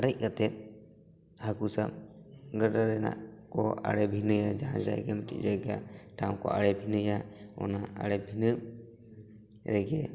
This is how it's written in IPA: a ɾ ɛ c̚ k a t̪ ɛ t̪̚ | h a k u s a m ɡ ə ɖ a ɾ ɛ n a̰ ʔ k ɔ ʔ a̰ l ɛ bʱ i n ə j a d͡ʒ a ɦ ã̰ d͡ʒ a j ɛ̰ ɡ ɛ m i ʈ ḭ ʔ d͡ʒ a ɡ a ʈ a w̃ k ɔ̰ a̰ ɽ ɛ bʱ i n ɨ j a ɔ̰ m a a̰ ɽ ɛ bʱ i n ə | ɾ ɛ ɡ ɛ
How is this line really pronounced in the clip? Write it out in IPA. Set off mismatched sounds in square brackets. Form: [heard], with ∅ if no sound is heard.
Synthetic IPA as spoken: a ɾ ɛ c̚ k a t̪ ɛ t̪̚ | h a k u s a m ɡ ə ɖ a ɾ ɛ n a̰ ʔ k ɔ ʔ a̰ [ɽ] ɛ bʱ i n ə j a d͡ʒ a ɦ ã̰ d͡ʒ a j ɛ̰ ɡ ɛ m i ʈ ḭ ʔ d͡ʒ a ɡ a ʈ a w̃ k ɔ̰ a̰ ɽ ɛ bʱ i n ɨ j a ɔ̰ [n] a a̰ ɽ ɛ bʱ i n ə | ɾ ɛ ɡ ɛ